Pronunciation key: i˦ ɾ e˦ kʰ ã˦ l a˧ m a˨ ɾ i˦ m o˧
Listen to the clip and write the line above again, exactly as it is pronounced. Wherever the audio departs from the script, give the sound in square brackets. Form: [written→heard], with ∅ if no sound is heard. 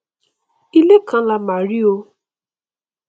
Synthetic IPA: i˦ [ɾ→l] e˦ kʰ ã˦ l a˧ m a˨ ɾ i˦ [m→∅] o˧

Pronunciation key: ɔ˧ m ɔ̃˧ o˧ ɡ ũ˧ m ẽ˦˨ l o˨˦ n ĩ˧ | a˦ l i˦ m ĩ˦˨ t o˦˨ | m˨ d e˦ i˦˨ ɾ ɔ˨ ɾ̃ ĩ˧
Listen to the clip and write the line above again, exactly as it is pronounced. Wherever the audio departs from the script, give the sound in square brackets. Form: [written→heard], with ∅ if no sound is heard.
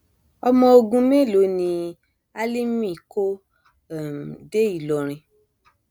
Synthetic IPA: ɔ˧ m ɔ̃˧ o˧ ɡ ũ˧ m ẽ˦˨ l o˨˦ n ĩ˧ | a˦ l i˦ m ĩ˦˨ [t→k] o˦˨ | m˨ d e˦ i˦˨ [ɾ→l] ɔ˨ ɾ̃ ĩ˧

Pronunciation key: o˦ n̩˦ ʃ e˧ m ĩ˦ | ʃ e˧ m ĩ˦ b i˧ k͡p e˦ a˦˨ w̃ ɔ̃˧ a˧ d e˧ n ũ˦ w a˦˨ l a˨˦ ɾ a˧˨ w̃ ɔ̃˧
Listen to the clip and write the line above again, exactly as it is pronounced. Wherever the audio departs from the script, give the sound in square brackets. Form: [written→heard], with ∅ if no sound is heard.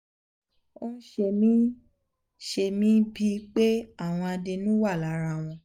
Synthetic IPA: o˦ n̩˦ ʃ e˧ m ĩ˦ | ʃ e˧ m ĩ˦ b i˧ k͡p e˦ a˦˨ w̃ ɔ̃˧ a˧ d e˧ n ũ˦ w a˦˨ l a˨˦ ɾ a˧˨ w̃ ɔ̃˧

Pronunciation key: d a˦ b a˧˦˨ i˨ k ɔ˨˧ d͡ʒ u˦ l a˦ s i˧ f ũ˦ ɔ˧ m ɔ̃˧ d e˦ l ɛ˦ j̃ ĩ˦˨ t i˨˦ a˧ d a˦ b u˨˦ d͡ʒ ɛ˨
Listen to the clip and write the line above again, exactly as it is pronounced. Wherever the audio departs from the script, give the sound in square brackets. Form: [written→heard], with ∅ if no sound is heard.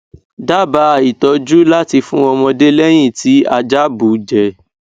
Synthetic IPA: d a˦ b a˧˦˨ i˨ [k→t] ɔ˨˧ d͡ʒ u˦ l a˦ [s→t] i˧ f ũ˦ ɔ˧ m ɔ̃˧ d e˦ l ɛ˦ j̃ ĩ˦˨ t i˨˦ a˧ [d→d͡ʒ] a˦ b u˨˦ d͡ʒ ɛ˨

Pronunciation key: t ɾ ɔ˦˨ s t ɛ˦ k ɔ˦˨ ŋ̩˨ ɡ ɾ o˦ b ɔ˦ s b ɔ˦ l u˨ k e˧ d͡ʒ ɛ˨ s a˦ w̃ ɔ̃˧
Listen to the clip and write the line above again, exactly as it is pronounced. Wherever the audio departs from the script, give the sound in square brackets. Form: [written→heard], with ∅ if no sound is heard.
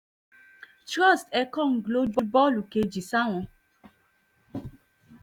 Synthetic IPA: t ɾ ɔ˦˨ s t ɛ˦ k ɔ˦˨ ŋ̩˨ ɡ [ɾ→l] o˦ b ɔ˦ [s→∅] b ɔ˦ l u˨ k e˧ d͡ʒ [ɛ˨→i˨] s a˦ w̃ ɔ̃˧

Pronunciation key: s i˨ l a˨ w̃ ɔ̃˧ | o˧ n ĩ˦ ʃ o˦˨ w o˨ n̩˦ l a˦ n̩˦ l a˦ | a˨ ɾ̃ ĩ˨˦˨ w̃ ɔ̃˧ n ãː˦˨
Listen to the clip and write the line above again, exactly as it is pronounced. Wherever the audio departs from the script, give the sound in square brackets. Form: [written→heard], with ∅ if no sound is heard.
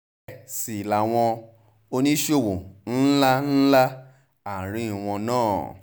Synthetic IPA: s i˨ l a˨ w̃ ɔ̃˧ | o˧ n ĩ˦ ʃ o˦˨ w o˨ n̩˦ l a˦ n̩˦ l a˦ | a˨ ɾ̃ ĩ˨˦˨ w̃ ɔ̃˧ n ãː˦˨

